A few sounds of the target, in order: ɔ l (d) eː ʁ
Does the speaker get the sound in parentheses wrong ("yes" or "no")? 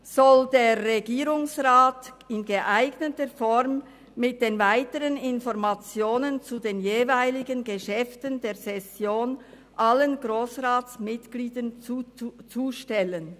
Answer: no